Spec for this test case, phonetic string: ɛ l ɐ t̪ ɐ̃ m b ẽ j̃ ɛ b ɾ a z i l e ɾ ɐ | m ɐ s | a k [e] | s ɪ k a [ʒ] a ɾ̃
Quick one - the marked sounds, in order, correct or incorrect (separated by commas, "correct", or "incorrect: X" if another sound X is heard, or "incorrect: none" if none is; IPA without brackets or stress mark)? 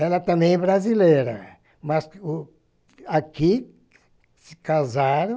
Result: incorrect: i, incorrect: z